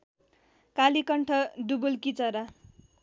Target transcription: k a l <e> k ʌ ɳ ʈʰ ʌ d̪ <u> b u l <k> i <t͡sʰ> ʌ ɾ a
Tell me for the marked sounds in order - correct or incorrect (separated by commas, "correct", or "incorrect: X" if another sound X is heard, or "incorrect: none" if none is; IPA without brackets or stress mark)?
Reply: incorrect: i, correct, correct, incorrect: t͡s